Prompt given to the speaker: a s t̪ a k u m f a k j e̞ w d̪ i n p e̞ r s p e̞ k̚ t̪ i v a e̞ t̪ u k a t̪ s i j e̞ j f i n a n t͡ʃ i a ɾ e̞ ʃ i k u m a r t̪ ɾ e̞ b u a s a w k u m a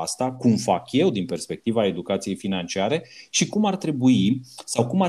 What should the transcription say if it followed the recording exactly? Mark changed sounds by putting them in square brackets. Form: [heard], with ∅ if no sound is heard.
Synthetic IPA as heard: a s t̪ a k u m f a k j e̞ w d̪ i n p e̞ r s p e̞ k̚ t̪ i v a e̞ [d̪] u k a t̪ s i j e̞ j f i n a n t͡ʃ i a ɾ e̞ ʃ i k u m a r t̪ ɾ e̞ b u [i] s a w k u m a